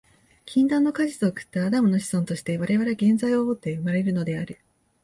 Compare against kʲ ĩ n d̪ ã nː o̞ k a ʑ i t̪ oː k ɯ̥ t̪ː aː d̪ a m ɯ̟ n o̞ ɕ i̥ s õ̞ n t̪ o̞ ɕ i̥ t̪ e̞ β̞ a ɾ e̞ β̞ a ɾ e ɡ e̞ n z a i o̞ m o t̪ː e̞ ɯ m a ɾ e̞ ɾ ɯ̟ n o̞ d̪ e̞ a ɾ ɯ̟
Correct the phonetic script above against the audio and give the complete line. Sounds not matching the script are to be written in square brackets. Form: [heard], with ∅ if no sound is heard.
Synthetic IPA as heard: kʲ ĩ n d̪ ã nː o̞ k a ʑ i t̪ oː k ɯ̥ t̪ː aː d̪ a m ɯ̟ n o̞ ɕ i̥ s õ̞ n t̪ o̞ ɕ i̥ t̪ e̞ β̞ a ɾ e̞ β̞ a ɾ e ɡ [ẽ̞] n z a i o̞ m o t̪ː e̞ ɯ m a ɾ e̞ ɾ ɯ̟ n o̞ d̪ e̞ a ɾ ɯ̟